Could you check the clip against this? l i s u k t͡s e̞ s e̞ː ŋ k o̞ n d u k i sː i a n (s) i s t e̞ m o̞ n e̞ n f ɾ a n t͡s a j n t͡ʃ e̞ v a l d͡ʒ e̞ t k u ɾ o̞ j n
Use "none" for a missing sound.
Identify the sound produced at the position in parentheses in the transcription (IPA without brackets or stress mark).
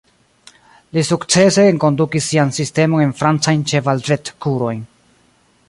s